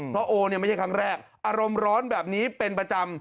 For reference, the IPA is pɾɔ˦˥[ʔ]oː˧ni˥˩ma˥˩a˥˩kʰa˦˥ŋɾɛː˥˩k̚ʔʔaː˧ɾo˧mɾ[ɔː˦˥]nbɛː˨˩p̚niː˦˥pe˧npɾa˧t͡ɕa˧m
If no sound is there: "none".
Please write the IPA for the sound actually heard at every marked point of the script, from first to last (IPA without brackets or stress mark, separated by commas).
ʔ, ɔː˦˥